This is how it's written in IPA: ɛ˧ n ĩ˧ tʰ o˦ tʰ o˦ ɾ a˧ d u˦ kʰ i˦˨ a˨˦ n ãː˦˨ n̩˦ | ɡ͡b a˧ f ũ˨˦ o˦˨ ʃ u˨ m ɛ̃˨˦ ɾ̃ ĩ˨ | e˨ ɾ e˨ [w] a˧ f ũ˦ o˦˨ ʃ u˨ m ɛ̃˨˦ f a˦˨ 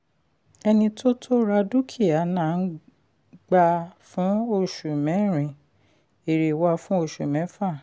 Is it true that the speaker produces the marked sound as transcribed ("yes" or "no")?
yes